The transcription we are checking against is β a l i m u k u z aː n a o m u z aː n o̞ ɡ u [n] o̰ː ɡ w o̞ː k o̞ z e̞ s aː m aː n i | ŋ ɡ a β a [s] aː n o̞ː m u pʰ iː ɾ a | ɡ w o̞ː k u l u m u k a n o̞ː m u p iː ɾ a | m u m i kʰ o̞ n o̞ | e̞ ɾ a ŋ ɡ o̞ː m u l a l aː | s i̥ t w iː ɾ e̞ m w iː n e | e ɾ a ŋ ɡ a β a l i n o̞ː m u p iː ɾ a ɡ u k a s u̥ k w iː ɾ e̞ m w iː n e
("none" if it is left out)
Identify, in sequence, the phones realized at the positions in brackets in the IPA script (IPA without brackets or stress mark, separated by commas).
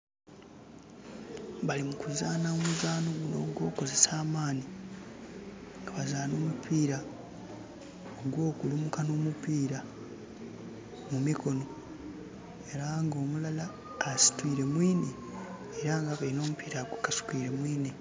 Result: n, z